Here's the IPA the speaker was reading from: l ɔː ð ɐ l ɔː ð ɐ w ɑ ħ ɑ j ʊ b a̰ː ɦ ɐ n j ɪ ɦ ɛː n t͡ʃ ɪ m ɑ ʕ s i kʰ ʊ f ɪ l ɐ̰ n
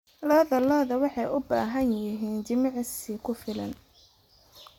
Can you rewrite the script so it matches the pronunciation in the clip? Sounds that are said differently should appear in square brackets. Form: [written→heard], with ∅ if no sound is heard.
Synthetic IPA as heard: l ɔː ð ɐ l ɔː ð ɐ w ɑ ħ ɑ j ʊ b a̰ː ɦ ɐ n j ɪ ɦ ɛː n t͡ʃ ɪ m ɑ ʕ s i kʰ ʊ f ɪ l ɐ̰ n